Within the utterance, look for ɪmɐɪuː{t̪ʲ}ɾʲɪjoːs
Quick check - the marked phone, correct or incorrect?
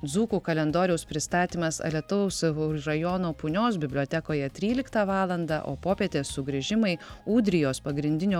incorrect